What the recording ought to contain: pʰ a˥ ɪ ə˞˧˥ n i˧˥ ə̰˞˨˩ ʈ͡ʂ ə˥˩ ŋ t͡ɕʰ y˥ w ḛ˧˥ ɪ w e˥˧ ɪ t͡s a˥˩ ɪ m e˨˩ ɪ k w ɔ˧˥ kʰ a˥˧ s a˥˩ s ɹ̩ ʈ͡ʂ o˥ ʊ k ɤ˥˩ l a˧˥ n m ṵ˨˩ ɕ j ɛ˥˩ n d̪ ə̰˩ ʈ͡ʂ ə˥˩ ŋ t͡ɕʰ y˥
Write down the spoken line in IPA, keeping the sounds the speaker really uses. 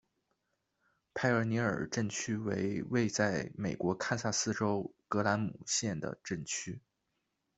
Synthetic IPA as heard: pʰ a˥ ɪ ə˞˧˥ n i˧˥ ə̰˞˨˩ ʈ͡ʂ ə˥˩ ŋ t͡ɕʰ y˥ w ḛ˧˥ ɪ w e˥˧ ɪ t͡s a˥˩ ɪ m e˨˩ ɪ k w ɔ˧˥ kʰ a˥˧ s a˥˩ s ɹ̩ ʈ͡ʂ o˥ ʊ k ɤ˧˥ l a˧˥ n m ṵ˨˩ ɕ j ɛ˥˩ n d̪ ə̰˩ ʈ͡ʂ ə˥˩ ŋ t͡ɕʰ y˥